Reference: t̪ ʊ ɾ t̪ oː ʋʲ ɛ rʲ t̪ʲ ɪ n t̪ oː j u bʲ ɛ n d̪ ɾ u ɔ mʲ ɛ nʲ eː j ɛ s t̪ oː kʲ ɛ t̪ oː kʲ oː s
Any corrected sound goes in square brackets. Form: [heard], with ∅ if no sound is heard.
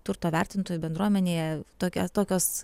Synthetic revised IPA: t̪ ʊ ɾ t̪ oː ʋʲ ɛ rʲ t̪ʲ ɪ n t̪ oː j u bʲ ɛ n d̪ ɾ u ɔ mʲ ɛ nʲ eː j ɛ [∅] t̪ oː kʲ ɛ t̪ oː kʲ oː s